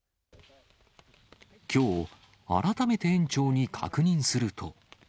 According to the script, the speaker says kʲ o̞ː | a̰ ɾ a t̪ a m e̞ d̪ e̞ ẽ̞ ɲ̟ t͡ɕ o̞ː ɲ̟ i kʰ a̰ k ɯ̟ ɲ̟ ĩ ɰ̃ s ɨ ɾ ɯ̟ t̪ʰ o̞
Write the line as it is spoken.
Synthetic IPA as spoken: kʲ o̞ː | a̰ ɾ a t̪ a m e̞ t̪ e̞ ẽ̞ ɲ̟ t͡ɕ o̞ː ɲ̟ i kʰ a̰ k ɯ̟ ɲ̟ ĩ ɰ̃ s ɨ ɾ ɯ̟ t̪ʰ o̞